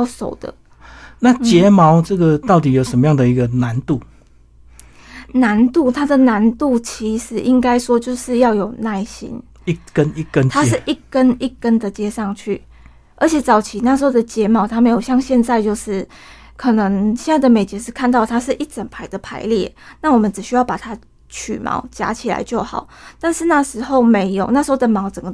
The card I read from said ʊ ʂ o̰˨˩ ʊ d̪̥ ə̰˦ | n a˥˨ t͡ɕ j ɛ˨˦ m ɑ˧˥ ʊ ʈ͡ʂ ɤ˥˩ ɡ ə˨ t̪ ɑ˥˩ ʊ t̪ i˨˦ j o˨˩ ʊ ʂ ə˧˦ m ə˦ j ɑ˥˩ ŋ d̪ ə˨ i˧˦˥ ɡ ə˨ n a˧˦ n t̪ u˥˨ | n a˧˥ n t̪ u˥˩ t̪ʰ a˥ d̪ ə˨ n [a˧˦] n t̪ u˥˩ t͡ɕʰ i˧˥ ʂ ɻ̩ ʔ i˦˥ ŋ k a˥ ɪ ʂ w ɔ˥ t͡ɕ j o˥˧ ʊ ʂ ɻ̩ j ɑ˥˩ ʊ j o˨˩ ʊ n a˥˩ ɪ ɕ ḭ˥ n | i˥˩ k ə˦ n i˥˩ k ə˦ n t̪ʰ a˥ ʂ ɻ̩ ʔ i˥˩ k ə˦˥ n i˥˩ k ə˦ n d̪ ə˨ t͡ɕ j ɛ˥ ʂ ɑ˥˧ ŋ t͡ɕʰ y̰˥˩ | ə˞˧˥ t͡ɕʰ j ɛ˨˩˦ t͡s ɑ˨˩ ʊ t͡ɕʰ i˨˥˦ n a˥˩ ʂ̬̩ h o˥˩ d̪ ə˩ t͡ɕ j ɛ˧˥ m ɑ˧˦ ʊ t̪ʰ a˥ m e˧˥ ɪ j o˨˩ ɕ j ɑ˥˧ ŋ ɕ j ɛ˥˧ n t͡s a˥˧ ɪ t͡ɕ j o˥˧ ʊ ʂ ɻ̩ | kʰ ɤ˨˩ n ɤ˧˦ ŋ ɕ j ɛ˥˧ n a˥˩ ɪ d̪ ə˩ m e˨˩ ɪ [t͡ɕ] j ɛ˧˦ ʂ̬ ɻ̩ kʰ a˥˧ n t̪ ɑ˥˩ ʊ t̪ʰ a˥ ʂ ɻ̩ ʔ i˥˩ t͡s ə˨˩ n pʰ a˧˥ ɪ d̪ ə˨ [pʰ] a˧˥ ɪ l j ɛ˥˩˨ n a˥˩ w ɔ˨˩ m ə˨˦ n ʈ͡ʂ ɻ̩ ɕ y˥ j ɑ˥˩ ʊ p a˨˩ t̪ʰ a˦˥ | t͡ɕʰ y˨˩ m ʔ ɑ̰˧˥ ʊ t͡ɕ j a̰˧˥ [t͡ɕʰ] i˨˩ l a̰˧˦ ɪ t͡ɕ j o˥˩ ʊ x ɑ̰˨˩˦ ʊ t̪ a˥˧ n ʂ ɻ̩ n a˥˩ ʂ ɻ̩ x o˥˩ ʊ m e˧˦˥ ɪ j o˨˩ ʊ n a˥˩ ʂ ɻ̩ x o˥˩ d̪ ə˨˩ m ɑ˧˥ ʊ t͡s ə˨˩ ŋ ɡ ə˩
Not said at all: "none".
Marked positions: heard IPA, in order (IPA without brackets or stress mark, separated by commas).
a˧˦, t͡ɕ, pʰ, t͡ɕʰ